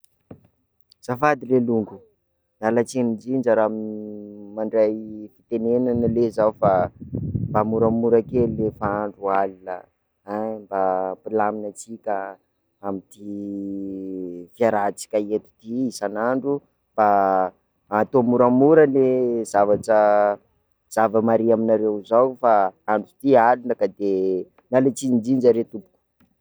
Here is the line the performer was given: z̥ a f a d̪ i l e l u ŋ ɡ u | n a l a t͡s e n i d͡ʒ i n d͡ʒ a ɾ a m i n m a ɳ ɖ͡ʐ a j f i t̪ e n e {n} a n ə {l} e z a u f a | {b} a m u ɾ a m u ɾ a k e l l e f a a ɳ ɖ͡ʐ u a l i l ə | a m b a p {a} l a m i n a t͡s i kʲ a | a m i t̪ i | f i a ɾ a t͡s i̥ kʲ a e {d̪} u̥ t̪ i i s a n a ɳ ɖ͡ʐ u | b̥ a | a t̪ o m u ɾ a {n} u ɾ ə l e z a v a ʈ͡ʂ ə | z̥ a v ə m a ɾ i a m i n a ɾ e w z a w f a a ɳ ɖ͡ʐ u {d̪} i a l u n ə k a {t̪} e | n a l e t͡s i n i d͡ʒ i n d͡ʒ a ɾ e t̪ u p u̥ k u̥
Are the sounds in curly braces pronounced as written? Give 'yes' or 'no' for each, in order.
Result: yes, yes, yes, no, no, no, no, no

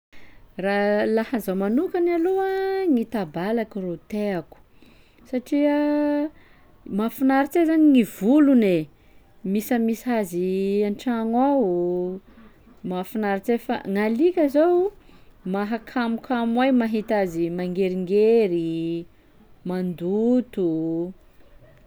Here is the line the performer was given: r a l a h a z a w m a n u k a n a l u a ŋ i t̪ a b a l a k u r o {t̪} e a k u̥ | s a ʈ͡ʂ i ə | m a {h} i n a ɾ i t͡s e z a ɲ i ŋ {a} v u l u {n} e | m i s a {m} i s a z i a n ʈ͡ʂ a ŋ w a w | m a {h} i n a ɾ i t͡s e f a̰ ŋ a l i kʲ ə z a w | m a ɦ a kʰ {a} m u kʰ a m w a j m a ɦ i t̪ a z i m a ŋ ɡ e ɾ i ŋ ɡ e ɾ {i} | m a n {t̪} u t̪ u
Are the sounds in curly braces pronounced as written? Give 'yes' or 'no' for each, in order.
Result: yes, no, no, yes, yes, no, yes, yes, no

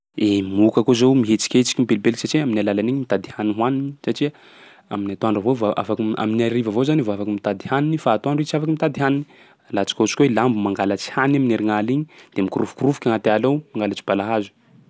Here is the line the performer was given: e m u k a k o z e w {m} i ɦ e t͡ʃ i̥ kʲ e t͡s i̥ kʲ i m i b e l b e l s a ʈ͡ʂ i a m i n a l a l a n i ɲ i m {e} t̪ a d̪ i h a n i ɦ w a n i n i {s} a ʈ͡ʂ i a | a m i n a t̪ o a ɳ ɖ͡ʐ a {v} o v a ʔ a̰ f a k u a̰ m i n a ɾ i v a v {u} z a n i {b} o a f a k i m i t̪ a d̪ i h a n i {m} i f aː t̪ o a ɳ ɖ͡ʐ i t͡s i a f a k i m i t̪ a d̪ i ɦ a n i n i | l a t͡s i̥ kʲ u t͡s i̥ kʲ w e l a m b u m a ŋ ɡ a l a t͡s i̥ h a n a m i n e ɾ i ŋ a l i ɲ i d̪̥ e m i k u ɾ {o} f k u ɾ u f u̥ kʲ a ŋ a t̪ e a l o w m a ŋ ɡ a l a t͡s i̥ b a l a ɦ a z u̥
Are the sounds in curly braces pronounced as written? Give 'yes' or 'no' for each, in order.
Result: yes, no, yes, yes, no, no, no, no

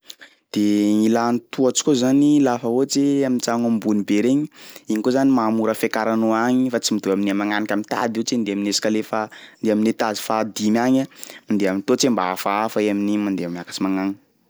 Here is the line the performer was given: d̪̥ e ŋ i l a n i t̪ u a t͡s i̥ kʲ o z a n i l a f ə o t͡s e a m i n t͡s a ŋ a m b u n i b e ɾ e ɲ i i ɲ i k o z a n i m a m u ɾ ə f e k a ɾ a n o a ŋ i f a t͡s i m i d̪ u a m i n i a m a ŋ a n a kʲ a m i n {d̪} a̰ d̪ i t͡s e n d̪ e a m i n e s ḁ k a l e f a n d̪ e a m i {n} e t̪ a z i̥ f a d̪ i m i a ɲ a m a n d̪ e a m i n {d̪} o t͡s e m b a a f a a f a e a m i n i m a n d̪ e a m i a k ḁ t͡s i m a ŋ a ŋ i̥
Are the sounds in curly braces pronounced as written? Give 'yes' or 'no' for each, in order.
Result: no, yes, no

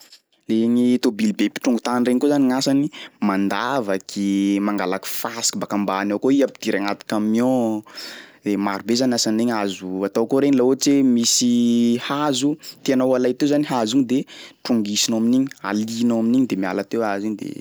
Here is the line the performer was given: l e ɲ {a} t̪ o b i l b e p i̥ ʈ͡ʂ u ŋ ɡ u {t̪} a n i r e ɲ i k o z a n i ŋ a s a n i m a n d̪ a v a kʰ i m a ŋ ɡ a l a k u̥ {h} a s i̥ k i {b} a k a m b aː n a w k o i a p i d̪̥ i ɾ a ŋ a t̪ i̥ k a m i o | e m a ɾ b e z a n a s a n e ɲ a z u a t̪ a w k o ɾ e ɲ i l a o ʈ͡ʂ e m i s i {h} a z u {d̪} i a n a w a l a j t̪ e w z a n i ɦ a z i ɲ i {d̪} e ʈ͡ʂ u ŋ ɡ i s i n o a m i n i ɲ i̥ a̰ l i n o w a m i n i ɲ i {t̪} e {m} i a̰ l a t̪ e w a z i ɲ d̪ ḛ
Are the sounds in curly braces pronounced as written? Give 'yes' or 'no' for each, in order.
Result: no, yes, no, yes, yes, no, yes, no, yes

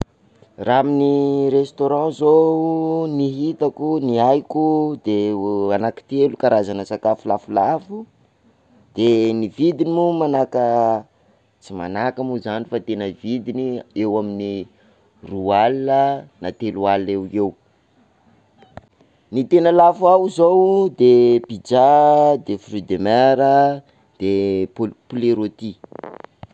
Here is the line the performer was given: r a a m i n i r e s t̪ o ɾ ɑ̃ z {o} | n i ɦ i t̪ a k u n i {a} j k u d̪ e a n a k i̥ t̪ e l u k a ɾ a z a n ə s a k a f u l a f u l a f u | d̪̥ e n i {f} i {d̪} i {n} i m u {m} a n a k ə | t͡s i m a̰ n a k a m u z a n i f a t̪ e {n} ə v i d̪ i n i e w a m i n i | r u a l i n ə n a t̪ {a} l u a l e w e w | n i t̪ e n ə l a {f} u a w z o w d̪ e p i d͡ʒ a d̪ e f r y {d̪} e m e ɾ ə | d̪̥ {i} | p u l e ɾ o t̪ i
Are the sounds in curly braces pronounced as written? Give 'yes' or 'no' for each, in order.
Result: yes, yes, no, yes, yes, yes, yes, no, yes, yes, no

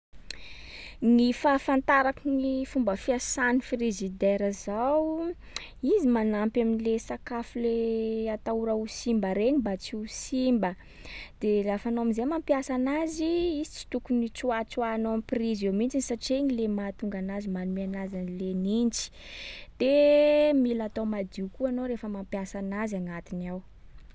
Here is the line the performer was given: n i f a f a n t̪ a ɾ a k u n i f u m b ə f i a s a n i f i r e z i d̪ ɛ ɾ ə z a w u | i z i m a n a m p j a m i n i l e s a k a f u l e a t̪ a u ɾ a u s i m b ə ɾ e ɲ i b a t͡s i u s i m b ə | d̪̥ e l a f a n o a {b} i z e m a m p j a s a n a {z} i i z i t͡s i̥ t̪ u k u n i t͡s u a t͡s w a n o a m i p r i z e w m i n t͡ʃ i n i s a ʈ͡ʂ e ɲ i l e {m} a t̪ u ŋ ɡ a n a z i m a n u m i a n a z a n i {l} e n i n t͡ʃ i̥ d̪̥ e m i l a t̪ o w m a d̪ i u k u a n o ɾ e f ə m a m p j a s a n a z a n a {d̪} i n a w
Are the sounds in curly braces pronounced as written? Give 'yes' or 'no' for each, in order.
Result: no, yes, yes, yes, no

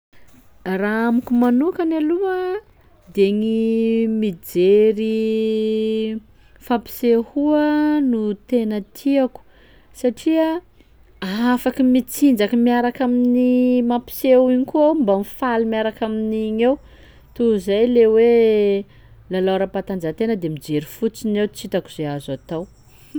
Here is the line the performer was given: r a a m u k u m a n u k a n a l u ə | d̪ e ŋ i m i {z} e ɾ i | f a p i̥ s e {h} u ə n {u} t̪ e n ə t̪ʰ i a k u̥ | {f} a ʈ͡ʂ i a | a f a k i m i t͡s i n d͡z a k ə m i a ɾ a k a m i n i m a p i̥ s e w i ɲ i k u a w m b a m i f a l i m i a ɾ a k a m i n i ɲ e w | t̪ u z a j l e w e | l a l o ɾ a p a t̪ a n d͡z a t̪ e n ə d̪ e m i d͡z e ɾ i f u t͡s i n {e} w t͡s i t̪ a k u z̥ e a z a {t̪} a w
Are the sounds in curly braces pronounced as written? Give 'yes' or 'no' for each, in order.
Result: no, yes, yes, no, yes, yes

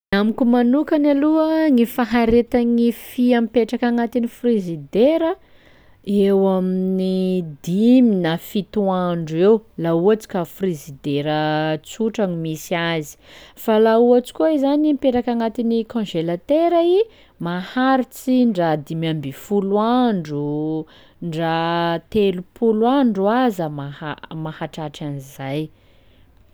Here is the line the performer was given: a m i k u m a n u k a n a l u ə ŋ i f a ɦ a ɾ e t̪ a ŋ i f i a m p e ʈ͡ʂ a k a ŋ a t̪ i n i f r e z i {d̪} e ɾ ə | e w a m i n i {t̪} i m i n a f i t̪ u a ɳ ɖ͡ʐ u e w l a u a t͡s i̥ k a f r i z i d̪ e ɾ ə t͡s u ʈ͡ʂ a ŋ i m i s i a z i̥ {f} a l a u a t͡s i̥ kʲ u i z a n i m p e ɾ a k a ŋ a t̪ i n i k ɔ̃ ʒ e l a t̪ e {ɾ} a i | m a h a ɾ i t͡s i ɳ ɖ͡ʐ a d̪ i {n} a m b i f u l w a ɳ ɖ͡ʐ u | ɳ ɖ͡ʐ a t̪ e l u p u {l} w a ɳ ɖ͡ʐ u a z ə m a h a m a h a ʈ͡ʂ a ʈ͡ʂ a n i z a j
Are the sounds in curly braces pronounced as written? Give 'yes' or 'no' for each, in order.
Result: yes, no, yes, yes, no, yes

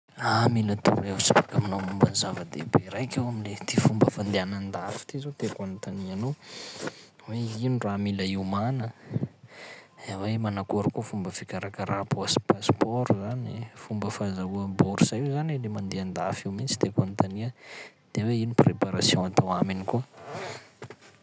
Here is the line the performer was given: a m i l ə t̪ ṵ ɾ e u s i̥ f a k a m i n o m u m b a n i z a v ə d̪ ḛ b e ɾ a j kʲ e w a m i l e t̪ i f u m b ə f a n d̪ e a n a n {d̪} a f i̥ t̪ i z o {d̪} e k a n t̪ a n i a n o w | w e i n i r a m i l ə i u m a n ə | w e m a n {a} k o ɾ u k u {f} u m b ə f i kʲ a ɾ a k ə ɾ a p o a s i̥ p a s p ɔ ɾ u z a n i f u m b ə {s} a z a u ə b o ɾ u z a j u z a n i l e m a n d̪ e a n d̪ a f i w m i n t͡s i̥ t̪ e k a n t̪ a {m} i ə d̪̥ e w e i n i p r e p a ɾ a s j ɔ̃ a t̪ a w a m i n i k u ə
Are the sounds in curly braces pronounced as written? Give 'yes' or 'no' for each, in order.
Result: yes, no, yes, yes, no, no

